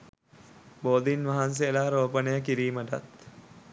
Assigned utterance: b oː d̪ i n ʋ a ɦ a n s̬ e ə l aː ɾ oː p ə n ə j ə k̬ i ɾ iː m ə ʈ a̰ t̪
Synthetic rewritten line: b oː d̪ i n ʋ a ɦ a n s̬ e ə l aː ɾ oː p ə n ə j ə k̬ i ɾ iː m ə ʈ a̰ t̪